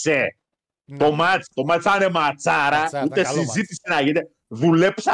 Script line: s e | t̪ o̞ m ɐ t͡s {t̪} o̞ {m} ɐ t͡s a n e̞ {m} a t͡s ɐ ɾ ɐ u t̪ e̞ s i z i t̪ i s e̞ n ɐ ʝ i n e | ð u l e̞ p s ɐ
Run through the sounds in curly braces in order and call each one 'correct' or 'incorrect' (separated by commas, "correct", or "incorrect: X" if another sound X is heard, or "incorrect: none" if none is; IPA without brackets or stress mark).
correct, correct, correct